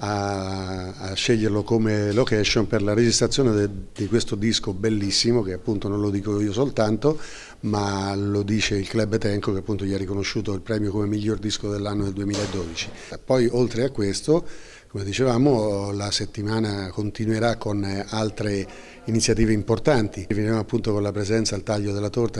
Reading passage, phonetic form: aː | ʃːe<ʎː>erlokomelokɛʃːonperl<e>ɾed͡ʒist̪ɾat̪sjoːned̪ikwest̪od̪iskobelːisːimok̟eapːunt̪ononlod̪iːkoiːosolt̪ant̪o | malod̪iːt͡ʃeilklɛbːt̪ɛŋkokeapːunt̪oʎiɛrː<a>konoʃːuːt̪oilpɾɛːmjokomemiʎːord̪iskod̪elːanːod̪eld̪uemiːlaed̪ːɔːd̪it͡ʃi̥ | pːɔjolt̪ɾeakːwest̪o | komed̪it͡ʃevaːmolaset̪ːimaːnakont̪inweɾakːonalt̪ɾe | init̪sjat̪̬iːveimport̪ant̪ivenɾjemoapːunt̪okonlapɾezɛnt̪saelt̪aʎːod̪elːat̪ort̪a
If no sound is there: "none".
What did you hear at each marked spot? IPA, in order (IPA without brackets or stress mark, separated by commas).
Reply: ʎː, a, i